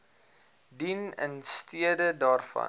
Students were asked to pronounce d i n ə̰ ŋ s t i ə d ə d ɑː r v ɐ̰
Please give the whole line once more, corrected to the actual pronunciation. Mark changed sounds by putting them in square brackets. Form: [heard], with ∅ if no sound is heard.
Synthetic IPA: d i n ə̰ [n] s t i ə d ə d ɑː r [f] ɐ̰